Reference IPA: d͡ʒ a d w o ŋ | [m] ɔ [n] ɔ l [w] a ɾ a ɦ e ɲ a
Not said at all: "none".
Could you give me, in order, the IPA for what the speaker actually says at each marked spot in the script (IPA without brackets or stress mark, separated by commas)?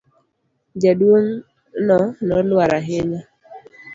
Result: n, n, w